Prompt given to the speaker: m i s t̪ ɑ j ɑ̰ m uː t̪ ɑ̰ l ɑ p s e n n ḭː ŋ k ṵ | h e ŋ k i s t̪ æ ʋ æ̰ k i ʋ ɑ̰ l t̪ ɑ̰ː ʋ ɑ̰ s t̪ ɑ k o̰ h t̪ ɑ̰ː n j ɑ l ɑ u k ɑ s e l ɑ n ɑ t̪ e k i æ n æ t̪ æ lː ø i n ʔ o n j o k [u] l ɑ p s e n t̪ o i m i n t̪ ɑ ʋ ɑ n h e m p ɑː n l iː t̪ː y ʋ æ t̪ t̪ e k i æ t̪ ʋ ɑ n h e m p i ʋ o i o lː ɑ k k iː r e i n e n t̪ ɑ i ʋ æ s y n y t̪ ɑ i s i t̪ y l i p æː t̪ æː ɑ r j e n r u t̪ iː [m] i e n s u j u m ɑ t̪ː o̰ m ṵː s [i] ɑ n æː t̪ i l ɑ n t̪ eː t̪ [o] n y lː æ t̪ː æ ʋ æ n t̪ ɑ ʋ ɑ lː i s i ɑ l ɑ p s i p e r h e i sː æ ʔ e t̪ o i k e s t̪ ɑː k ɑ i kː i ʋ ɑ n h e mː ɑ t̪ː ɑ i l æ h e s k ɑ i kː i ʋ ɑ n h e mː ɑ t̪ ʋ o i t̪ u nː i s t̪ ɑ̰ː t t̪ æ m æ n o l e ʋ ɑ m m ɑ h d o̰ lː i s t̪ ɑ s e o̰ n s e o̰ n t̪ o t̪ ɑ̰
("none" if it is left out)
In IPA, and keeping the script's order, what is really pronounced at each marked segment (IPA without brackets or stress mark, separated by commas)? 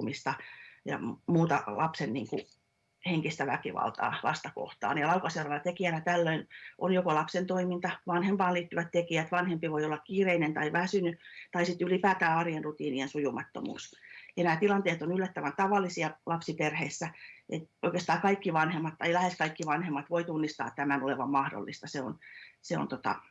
o, n, j, o